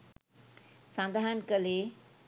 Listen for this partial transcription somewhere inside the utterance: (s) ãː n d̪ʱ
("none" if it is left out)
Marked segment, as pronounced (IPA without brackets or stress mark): s